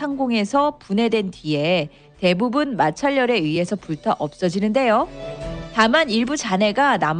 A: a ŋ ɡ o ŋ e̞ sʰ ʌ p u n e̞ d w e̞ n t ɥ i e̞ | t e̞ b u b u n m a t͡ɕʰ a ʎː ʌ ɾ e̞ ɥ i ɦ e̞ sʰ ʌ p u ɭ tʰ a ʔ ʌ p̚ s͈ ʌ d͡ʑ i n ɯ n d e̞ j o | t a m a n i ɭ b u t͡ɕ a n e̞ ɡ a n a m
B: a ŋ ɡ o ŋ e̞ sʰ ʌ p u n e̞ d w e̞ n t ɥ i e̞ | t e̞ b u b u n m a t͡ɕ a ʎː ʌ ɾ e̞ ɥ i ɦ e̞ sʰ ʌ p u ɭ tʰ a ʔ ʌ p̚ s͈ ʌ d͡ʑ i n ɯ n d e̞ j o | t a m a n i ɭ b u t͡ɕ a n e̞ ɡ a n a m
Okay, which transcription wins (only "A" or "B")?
A